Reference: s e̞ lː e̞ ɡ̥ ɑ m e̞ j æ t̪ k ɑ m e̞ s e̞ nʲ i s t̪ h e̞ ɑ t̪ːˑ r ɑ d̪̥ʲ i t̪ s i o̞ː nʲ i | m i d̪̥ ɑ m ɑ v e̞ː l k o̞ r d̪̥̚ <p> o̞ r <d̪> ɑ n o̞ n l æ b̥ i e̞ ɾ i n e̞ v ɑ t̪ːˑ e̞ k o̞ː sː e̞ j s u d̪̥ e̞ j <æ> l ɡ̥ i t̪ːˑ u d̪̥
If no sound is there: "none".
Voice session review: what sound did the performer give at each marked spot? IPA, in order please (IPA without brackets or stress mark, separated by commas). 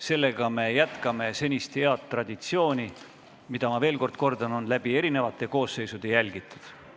k, d̪, æ